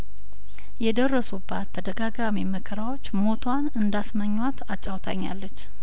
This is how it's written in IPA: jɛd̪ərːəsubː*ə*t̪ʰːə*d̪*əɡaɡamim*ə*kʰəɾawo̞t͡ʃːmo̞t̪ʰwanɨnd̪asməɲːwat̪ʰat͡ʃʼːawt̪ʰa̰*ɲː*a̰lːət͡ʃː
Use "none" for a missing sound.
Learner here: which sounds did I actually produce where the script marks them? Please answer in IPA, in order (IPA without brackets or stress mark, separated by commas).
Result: a, d̪, ə, ɲː